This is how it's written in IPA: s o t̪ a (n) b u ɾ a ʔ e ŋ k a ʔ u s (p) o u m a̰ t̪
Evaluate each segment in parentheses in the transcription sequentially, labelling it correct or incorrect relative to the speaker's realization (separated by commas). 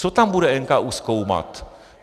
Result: incorrect, incorrect